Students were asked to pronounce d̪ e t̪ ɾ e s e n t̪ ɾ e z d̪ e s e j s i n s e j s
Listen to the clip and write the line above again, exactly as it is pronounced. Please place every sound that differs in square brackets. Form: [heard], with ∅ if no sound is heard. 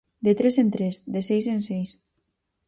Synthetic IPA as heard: d̪ e t̪ ɾ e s e n t̪ ɾ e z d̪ e s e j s [e] n s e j s

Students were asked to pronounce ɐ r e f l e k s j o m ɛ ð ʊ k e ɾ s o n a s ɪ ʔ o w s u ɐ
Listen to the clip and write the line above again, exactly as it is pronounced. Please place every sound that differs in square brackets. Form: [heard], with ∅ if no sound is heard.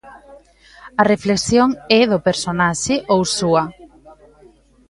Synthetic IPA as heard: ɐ r e f l e k s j o [ŋ] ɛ ð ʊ [p] e ɾ s o n a [ʃ] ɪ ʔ o w s u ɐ

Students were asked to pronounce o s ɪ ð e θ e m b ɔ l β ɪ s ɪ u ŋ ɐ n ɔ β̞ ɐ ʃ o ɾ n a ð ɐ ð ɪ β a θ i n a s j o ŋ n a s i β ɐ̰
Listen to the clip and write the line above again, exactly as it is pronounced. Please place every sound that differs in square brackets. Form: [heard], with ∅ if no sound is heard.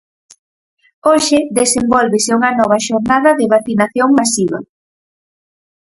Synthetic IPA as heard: o [ʃ] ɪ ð e [s] e m b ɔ l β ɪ s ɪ u ŋ ɐ n ɔ β̞ ɐ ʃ o ɾ n a ð ɐ ð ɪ β a θ i n a [θ] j o ŋ [m] a s i β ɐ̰

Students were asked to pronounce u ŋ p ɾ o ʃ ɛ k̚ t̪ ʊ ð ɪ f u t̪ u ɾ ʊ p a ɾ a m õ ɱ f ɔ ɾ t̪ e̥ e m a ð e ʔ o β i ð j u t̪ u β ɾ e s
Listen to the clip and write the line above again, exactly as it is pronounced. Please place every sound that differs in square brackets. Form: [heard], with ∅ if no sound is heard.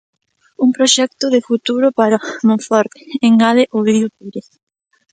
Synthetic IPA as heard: u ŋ p ɾ o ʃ ɛ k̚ t̪ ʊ ð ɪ f u t̪ u ɾ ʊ p a ɾ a m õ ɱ f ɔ ɾ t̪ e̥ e [ŋ] a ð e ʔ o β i ð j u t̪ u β ɾ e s

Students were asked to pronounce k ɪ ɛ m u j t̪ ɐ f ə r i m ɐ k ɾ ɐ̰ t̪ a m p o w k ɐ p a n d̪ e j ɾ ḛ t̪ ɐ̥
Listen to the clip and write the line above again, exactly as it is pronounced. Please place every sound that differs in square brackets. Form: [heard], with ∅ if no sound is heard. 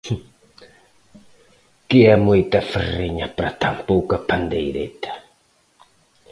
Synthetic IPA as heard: k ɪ ɛ m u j t̪ ɐ f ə r i [ɲ] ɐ [p] ɾ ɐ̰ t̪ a m p o w k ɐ p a n d̪ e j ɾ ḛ t̪ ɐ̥

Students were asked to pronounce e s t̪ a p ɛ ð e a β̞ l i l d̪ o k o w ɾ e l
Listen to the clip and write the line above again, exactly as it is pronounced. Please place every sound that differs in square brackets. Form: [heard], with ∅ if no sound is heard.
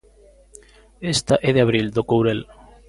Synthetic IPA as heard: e s t̪ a [ʔ] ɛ ð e a β̞ [ɾ] i l d̪ o k o w ɾ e l

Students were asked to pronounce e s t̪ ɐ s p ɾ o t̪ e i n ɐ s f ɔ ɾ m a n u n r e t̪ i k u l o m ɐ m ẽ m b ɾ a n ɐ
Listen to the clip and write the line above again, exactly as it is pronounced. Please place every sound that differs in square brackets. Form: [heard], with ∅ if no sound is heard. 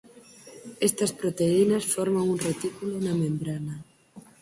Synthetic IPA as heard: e s t̪ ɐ s p ɾ o t̪ e i n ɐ s f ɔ ɾ m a [ŋ] u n r e t̪ i k u l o [n] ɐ m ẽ m b ɾ a n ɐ

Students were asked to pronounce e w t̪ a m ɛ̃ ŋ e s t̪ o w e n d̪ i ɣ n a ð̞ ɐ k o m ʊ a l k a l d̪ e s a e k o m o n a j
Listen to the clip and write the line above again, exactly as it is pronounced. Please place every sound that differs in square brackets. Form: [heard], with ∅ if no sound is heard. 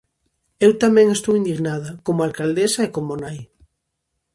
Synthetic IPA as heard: e w t̪ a m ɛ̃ ŋ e s t̪ o w [i] n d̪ i ɣ n a ð̞ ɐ k o m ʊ a l k a l d̪ e s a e k o m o n a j

